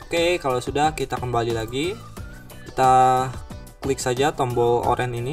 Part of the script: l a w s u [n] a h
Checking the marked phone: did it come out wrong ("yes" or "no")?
yes